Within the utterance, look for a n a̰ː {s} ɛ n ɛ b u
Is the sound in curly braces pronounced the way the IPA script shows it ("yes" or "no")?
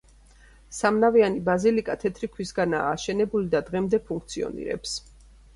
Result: no